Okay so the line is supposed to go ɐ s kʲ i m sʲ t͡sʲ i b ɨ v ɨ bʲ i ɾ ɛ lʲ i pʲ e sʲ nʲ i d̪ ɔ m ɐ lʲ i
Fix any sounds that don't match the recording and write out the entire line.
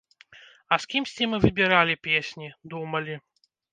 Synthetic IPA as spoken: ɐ s kʲ i m sʲ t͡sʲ i m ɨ v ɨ bʲ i ɾ a lʲ i pʲ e sʲ nʲ i d̪ u m ɐ lʲ i